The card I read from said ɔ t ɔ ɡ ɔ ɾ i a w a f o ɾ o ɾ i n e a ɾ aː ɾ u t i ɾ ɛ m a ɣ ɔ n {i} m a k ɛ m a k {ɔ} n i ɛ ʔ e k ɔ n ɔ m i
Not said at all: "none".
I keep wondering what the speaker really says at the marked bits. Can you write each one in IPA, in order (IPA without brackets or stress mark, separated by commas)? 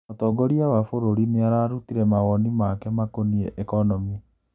i, o